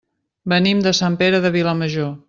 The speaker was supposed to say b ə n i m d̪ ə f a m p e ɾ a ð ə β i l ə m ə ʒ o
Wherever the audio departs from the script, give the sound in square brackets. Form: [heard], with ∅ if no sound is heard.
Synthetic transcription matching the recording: b ə n i m d̪ ə [s] a m p e ɾ [ə] ð ə β i l ə m ə ʒ o